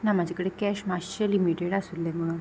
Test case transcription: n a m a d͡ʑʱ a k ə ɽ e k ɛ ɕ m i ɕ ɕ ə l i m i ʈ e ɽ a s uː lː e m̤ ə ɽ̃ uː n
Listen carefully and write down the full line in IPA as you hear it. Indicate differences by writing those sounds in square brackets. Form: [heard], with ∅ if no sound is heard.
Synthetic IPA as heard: n a m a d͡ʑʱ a k ə ɽ e k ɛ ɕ m [a] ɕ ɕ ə l i m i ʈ e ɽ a s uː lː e m̤ ə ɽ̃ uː n